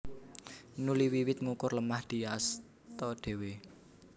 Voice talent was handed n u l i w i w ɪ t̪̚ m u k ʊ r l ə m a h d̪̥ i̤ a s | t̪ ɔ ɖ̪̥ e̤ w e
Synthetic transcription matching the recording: n u l i w i w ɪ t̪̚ ŋ u k ʊ r l ə m a h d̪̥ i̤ a s | t̪ ɔ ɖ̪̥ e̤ w e